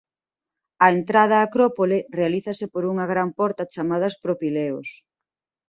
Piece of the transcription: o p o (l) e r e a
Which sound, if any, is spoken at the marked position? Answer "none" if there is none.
l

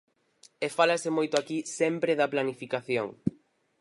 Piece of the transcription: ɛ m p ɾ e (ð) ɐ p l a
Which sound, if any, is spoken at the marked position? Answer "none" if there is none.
ð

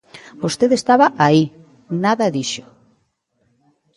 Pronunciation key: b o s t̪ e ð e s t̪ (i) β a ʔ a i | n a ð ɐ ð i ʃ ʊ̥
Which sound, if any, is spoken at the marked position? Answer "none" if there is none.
a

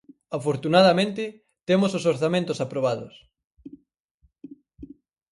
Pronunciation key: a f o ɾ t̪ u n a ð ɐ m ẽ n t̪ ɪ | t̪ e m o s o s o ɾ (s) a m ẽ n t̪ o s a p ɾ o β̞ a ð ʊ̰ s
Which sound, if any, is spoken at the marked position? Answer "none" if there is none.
θ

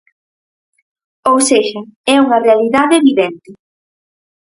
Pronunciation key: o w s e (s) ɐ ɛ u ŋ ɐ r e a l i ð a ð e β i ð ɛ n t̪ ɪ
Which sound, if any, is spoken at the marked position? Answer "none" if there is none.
ʃ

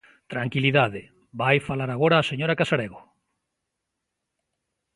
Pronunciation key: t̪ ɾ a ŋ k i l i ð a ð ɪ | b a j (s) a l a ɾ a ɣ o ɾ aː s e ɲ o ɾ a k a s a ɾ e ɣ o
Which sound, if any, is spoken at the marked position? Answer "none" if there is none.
f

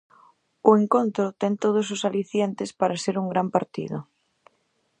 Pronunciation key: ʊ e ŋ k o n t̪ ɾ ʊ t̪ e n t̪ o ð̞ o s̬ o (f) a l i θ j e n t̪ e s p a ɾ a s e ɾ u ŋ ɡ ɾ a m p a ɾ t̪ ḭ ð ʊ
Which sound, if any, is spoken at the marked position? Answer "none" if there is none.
s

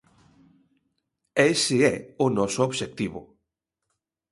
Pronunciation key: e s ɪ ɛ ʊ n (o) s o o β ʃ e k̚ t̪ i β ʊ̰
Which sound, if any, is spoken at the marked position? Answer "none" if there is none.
ɔ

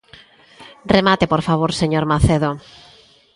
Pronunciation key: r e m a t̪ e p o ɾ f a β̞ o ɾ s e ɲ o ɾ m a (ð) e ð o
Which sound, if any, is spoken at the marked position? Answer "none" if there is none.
θ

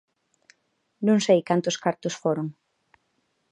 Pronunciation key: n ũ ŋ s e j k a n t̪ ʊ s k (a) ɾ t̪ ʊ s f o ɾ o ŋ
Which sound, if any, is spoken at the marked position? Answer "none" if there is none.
a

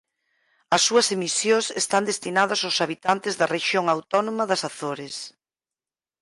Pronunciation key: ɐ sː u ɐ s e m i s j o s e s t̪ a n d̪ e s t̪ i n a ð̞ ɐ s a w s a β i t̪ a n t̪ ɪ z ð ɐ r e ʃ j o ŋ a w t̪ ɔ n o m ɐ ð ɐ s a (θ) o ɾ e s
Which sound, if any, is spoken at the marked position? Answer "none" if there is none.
θ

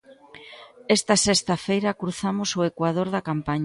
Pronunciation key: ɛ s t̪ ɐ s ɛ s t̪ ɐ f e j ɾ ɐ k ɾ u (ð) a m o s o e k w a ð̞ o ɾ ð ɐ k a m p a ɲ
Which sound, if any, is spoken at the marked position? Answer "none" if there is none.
θ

